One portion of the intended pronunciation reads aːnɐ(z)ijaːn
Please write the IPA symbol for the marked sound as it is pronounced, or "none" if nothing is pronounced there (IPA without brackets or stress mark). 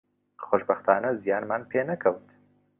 z